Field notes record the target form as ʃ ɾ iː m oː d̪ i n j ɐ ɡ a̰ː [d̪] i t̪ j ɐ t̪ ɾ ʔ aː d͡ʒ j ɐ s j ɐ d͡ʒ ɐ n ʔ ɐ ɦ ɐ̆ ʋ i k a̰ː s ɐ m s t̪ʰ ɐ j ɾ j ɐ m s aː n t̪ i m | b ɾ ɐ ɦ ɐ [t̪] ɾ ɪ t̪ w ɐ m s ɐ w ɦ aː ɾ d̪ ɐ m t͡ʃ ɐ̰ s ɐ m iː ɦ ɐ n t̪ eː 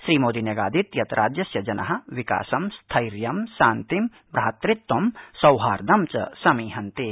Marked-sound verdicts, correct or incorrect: correct, correct

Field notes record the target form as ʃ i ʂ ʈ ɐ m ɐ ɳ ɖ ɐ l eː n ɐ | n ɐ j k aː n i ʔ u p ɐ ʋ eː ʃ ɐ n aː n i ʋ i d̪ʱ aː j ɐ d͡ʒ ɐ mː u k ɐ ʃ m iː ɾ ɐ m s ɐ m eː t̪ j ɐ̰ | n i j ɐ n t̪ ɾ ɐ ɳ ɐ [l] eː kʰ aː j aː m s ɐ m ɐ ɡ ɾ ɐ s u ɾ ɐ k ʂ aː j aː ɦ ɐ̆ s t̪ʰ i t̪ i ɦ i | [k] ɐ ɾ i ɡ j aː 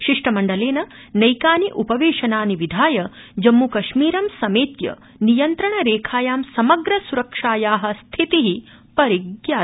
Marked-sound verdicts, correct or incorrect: incorrect, incorrect

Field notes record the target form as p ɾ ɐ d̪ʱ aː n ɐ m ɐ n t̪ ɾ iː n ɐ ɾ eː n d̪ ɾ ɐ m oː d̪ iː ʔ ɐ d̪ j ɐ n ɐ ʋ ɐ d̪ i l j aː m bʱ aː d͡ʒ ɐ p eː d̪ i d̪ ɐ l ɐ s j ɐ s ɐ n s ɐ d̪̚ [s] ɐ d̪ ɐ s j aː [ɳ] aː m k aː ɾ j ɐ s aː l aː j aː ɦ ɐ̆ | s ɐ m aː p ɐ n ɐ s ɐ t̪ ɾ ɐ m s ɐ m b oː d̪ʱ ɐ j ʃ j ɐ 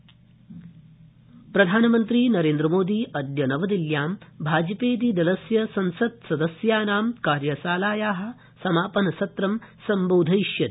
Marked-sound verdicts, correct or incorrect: correct, incorrect

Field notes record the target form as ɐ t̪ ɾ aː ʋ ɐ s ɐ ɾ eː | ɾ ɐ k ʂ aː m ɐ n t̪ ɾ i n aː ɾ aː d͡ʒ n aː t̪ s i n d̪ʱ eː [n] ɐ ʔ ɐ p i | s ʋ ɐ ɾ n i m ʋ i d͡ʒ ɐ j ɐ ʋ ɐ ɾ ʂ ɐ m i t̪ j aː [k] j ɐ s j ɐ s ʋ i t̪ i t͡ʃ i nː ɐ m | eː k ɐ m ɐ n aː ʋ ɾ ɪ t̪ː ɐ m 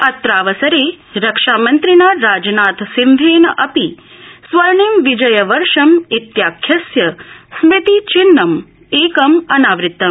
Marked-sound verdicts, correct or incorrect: correct, incorrect

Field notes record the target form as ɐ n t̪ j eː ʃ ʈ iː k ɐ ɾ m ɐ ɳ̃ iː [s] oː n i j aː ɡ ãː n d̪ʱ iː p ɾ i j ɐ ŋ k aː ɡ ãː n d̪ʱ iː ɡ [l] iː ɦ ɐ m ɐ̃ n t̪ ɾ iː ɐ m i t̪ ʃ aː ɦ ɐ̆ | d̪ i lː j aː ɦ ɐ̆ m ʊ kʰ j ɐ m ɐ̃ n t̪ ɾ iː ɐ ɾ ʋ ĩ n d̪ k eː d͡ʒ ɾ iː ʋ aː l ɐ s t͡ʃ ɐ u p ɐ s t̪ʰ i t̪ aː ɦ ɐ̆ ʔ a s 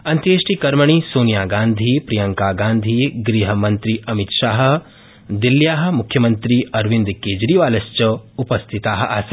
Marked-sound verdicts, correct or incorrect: correct, incorrect

